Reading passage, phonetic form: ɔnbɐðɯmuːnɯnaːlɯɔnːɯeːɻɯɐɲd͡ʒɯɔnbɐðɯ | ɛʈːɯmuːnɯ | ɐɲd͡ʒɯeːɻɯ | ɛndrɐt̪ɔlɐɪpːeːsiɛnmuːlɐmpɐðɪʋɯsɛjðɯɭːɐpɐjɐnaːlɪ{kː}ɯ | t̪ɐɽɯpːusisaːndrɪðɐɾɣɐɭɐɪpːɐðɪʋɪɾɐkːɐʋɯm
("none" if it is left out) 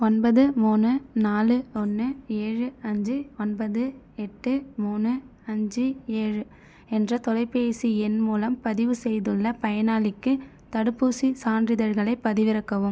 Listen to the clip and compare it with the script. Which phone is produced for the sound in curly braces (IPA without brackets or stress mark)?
kː